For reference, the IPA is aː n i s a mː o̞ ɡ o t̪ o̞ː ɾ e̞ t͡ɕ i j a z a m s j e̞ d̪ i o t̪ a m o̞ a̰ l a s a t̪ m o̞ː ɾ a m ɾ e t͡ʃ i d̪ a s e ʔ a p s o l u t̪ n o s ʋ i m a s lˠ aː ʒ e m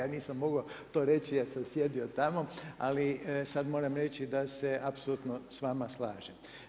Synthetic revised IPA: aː n iː s a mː o̞ ɡ o t̪ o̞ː ɾ e̞ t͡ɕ i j a s a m s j e̞ d̪ i o t̪ a m o̞ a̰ l i s a d̪ m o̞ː ɾ a m ɾ e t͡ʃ i d̪ a s e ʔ a p s o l u t̪ n o s ʋ a m a s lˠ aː ʒ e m